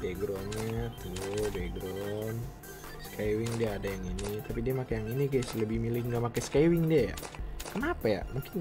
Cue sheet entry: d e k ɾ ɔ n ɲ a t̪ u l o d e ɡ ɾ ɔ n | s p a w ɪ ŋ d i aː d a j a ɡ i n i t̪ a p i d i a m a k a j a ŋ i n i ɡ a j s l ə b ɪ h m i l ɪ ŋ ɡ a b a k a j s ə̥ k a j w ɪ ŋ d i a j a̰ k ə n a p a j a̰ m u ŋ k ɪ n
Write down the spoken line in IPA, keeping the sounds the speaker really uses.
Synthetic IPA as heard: d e ɡ ɾ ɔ n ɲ a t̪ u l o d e ɡ ɾ ɔ n | s k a w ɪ ŋ d i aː d a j a ŋ i n i t̪ a p i d i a m a k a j a ŋ i n i ɡ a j s l ə b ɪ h m i l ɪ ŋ ɡ a m a k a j s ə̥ k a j w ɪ ŋ d i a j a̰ k ə n a p a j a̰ m u ŋ k ɪ n